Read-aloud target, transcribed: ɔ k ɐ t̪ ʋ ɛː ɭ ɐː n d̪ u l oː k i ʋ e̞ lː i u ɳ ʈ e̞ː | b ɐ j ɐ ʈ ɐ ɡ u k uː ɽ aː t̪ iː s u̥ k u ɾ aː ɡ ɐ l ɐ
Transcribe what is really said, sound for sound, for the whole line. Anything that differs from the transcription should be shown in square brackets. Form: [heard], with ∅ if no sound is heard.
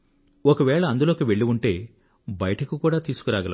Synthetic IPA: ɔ k ɐ [∅] ʋ ɛː ɭ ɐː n d̪ u l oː k i ʋ e̞ [ɭː] i u ɳ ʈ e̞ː | b ɐ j ɐ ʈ ɐ [k] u k uː ɽ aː t̪ iː s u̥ k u ɾ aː ɡ ɐ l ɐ